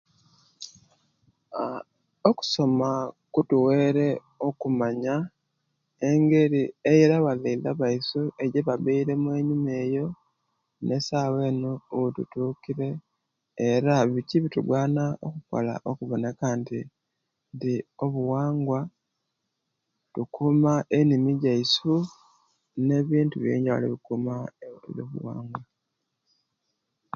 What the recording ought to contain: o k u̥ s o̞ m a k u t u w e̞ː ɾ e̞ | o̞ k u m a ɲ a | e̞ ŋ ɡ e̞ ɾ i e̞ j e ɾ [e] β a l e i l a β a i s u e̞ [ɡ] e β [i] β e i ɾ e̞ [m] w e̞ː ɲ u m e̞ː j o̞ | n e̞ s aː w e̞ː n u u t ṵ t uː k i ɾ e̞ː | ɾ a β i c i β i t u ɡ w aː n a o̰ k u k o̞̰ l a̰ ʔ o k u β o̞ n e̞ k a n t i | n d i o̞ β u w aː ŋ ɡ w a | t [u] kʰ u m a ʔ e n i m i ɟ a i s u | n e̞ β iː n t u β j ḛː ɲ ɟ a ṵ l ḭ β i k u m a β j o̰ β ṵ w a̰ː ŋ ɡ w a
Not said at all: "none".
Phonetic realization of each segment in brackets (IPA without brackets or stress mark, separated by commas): a, ɟ, a, m, u